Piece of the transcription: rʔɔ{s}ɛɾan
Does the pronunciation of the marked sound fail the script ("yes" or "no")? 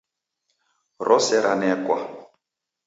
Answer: no